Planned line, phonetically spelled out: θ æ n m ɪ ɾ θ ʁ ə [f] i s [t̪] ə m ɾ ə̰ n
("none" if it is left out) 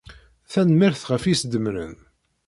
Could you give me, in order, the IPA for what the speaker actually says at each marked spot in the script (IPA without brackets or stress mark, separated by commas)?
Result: f, d̪